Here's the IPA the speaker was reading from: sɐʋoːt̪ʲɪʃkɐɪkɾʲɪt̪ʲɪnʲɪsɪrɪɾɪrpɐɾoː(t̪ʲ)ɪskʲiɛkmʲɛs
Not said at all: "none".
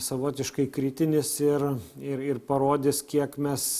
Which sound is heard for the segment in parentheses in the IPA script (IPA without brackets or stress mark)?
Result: d̪ʲ